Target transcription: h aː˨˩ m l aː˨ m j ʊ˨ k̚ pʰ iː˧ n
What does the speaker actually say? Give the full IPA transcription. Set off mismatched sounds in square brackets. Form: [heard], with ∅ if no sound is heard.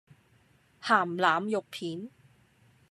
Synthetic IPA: h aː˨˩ m l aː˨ m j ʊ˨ k̚ pʰ [iː˨˥] n